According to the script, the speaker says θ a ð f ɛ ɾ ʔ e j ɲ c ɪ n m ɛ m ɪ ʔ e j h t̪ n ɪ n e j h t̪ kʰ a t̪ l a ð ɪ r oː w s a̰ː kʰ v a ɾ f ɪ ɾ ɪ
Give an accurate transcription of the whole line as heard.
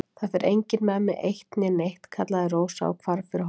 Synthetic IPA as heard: θ a ð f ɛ ɾ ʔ e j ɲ c ɪ n m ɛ m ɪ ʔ e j h t̪ n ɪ n e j h t̪ kʰ a t̪ l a ð ɪ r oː w s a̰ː kʰ v a ɾ f ɪ ɾ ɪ

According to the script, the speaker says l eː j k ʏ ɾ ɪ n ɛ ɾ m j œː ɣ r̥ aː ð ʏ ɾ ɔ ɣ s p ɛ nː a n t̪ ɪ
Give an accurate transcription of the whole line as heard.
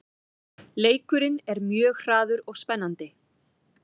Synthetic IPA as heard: l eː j k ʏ ɾ ɪ n ɛ ɾ m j œː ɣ r̥ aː ð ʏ ɾ ɔ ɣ s p ɛ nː a n t̪ ɪ

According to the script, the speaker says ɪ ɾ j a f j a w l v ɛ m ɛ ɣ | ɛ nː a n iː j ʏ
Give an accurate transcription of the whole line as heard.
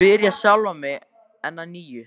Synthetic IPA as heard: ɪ ɾ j a s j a w l v a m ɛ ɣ | ɛ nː a n iː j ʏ

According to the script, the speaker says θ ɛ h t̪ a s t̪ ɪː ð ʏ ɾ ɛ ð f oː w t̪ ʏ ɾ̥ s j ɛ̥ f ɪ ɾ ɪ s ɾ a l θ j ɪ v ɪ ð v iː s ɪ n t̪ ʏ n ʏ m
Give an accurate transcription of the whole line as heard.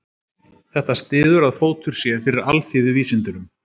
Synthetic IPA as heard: θ ɛ h t̪ a s t̪ ɪː ð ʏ ɾ a ð f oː w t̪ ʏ ɾ̥ s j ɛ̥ f ɪ ɾ ɪ ɾ a l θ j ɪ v ɪ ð v iː s ɪ n t̪ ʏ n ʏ m

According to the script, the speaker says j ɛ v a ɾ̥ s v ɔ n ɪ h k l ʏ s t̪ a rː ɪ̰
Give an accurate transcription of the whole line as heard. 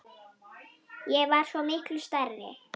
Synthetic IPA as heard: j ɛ v a ɾ̥ s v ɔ m ɪ h k l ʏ s t̪ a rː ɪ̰

